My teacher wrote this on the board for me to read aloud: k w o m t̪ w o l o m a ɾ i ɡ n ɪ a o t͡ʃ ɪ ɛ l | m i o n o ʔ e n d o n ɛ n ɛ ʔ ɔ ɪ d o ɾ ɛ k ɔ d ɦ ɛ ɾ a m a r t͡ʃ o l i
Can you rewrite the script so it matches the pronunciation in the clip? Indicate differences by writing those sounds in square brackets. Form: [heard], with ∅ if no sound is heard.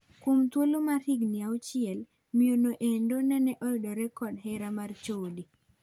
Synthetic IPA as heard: k w o m t̪ w o l o m a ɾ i ɡ n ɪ a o t͡ʃ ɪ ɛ l | m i o n o ʔ e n d o n ɛ n ɛ ʔ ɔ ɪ d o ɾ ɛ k ɔ d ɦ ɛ ɾ a m a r t͡ʃ o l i